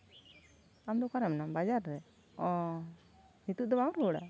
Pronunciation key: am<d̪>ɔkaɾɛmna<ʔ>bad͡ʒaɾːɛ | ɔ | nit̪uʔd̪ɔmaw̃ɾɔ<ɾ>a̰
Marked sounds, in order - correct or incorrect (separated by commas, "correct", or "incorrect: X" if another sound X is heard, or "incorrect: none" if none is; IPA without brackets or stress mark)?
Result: correct, incorrect: none, incorrect: ɽ